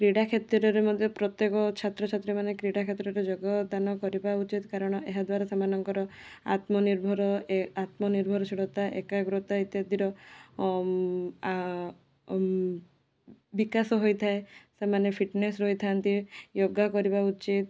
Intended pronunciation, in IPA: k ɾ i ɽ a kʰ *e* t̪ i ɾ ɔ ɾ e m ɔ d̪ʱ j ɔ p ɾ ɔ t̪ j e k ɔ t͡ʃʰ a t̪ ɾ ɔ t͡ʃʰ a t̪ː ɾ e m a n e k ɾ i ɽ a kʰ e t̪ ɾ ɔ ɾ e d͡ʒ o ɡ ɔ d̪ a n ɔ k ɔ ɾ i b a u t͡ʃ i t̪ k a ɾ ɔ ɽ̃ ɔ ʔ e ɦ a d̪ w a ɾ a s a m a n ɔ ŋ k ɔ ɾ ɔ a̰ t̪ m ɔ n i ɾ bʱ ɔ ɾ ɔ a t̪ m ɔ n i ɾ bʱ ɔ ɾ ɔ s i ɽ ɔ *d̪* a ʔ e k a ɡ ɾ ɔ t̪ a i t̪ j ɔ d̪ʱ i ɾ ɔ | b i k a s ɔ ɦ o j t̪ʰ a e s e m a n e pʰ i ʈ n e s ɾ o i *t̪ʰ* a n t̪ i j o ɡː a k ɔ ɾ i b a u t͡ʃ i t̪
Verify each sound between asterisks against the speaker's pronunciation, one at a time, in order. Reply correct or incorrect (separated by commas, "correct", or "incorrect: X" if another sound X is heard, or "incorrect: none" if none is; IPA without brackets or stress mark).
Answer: correct, incorrect: t̪, correct